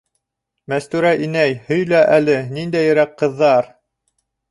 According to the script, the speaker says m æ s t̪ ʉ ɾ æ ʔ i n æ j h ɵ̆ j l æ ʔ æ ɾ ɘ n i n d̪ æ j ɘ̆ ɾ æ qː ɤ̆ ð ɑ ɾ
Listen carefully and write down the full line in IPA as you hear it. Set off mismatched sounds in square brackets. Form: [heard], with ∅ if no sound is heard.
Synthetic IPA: m æ s t̪ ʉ ɾ æ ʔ i n æ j h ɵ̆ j l æ ʔ æ [l] ɘ n i n d̪ æ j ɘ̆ ɾ æ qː ɤ̆ [ðː] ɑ ɾ